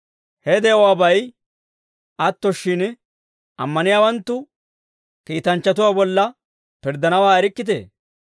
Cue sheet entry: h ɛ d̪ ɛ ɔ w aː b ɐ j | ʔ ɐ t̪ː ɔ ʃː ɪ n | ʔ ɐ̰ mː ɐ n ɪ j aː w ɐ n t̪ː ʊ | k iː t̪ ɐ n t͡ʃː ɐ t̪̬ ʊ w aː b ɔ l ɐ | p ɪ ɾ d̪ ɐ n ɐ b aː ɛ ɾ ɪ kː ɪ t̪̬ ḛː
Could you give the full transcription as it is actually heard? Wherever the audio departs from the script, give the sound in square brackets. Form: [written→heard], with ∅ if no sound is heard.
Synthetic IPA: h ɛ d̪ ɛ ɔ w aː b ɐ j | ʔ ɐ t̪ː ɔ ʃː ɪ n | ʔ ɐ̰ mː ɐ n ɪ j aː w ɐ n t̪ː ʊ | k iː t̪ ɐ n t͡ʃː ɐ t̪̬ ʊ w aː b ɔ [l→lː] ɐ | p ɪ ɾ d̪ ɐ n ɐ [b→w] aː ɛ ɾ ɪ kː ɪ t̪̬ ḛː